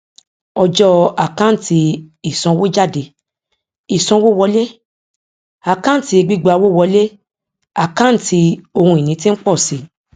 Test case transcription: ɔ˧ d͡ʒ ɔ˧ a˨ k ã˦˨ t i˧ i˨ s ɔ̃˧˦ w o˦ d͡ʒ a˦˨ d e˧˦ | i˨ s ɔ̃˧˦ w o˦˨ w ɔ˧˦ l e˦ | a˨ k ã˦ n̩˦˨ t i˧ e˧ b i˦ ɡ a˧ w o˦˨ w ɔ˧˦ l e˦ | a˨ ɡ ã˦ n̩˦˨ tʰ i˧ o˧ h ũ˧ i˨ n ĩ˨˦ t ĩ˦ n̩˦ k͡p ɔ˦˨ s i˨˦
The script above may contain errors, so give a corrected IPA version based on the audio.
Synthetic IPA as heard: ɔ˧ d͡ʒ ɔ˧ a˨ k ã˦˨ t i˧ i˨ s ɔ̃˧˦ w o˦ d͡ʒ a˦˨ d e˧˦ | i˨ s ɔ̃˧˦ w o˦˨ w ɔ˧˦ l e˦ | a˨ k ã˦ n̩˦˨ t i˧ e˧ ɡ͡b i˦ ɡ͡b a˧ w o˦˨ w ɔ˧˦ l e˦ | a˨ k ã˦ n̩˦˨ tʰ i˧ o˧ h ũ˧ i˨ n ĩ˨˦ t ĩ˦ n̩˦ k͡p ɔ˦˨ s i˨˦